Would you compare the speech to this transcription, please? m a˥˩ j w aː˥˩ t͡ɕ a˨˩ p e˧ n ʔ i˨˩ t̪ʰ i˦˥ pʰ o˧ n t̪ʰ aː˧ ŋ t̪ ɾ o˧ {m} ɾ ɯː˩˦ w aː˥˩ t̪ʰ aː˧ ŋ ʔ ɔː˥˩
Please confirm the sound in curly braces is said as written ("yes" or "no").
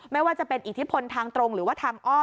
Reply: no